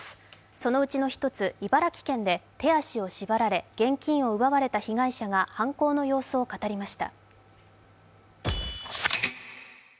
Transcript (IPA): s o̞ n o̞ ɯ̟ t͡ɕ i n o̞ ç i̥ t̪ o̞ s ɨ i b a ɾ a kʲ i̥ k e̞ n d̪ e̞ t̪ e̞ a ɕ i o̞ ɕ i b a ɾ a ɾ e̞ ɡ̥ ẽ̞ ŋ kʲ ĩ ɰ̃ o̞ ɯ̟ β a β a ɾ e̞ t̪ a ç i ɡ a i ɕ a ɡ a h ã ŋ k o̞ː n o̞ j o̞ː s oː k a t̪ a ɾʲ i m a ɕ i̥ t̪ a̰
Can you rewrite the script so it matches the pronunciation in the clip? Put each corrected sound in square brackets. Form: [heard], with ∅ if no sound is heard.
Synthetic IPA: s o̞ n o̞ ɯ̟ t͡ɕ i n o̞ ç i̥ t̪ o̞ [t͡s] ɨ i b a ɾ a kʲ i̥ k [ẽ̞] n d̪ e̞ t̪ e̞ a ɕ i o̞ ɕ i b a ɾ a ɾ e̞ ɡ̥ ẽ̞ ŋ kʲ ĩ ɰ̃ o̞ ɯ̟ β a β a ɾ e̞ t̪ a ç i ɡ a i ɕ a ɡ a h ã ŋ k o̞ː n o̞ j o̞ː s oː k a t̪ a ɾʲ i m a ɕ i̥ t̪ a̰